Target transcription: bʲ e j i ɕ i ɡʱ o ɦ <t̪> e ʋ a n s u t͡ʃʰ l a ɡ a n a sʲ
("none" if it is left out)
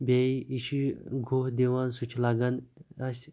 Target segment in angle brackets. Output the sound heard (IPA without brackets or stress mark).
d̪